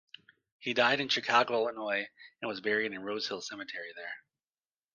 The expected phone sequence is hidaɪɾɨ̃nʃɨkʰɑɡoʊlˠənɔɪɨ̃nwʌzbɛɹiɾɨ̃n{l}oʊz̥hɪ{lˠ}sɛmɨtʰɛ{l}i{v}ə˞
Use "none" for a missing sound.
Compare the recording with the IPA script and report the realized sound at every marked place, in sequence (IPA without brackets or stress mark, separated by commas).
ɹ, lˠ, ɹ, ð